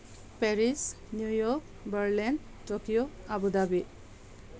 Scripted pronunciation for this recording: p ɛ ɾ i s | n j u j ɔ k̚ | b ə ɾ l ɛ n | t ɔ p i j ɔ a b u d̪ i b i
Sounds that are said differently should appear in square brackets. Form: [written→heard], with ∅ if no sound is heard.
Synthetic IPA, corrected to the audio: p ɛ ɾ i s | n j u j ɔ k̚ | b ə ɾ l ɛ n | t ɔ [p→k] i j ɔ a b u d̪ [i→a] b i